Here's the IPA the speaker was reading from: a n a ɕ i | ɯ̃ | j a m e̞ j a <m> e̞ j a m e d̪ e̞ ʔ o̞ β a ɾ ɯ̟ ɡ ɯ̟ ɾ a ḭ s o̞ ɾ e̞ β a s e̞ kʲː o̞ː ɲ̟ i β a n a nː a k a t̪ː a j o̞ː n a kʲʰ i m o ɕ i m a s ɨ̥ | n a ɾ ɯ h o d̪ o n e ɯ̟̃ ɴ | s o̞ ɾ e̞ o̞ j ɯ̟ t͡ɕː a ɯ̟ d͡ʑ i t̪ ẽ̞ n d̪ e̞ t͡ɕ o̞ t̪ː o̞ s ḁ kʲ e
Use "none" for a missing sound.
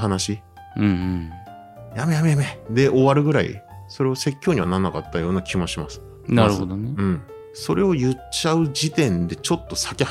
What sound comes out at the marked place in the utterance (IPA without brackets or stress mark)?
m